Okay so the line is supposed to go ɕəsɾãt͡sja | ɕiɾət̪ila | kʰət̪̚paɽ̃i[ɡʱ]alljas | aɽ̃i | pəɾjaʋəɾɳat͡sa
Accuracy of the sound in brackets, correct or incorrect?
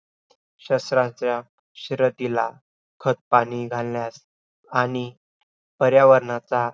correct